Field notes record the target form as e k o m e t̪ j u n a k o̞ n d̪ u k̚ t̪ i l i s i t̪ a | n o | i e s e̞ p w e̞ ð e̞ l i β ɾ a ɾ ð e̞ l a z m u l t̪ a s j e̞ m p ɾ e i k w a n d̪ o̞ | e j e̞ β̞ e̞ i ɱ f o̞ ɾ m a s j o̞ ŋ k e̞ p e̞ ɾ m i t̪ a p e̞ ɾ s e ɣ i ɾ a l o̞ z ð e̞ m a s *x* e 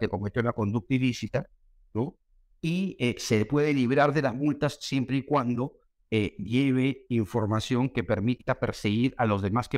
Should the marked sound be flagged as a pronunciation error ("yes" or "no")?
yes